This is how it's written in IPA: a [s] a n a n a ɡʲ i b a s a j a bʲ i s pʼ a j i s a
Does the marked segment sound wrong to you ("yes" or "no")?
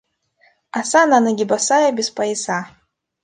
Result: no